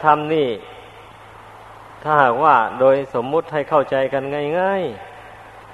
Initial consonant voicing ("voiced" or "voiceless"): voiceless